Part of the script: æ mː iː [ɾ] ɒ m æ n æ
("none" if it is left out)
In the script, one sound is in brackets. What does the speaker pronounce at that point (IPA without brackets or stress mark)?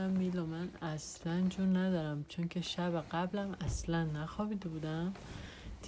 l